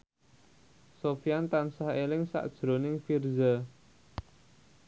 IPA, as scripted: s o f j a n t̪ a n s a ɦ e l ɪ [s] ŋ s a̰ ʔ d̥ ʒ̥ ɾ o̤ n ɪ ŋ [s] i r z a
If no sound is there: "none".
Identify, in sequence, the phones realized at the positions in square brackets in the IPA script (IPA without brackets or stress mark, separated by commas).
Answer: none, f